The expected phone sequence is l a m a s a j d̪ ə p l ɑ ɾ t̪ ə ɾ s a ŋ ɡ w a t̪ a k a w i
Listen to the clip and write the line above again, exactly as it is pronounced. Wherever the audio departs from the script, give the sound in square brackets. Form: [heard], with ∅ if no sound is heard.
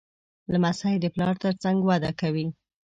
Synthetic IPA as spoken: l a m a s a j d̪ ə p l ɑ ɾ t̪ ə ɾ [t͡s] a ŋ ɡ w a [d̪] a k a w i